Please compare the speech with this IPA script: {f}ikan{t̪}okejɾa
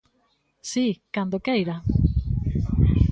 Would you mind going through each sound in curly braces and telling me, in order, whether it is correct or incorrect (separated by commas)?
incorrect, incorrect